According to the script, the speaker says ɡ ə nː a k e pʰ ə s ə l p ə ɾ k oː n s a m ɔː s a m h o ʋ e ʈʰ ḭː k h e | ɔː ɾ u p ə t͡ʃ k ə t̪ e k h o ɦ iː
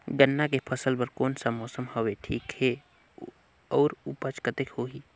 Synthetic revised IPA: ɡ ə nː a k e pʰ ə s ə l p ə ɾ k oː n s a m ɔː s ə m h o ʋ e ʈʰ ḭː k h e | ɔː ɾ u p ə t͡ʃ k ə t̪ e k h o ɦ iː